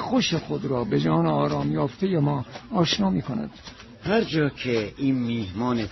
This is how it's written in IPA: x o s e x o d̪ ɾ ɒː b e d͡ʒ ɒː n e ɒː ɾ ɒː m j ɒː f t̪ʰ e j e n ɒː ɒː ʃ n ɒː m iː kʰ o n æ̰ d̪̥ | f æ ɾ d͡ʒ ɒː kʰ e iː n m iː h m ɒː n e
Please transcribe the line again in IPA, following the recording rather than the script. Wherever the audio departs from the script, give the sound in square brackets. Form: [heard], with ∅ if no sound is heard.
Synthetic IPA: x o [ʃ] e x o d̪ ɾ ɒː b e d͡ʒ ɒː n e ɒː ɾ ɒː m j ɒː f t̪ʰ e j e [m] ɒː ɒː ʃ n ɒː m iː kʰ o n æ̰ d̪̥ | [h] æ ɾ d͡ʒ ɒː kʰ e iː n m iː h m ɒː n e